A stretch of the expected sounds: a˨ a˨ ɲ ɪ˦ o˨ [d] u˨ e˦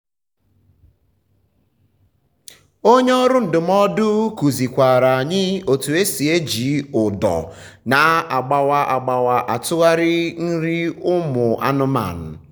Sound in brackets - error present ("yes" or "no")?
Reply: yes